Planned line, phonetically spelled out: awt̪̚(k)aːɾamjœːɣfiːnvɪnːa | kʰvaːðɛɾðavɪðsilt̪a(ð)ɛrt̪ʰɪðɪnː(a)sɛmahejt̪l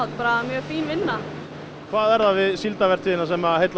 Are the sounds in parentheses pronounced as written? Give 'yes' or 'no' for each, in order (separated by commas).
no, no, yes